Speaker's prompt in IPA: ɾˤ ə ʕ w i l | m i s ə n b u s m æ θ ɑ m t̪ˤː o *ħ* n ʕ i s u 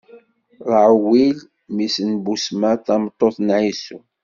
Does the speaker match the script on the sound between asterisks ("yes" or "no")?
no